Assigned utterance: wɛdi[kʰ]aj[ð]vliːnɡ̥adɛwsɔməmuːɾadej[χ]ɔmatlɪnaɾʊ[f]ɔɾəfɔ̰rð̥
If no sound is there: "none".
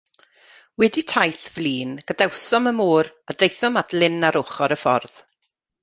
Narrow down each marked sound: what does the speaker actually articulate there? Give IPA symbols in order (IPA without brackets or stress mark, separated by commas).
tʰ, θ, θ, χ